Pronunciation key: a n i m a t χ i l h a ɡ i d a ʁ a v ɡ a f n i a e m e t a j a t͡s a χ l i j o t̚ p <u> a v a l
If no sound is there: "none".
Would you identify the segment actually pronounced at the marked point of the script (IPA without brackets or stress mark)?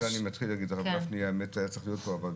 o